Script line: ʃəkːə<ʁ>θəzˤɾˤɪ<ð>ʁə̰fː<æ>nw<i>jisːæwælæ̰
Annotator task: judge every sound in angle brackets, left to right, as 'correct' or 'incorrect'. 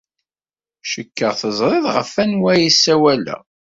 correct, correct, correct, incorrect: æ

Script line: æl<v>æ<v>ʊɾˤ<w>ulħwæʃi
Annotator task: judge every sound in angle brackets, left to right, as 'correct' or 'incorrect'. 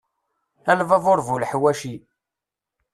correct, correct, incorrect: v

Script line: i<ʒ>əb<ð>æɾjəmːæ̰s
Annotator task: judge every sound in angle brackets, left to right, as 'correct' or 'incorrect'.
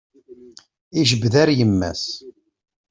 correct, correct

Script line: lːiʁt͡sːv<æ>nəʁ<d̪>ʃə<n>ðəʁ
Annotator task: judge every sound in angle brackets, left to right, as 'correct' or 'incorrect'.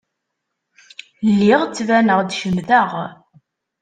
correct, correct, incorrect: m

